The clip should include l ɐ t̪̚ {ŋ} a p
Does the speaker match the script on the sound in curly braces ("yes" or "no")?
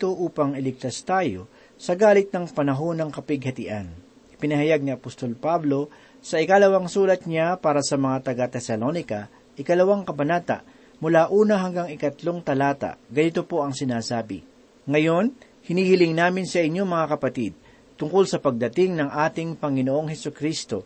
no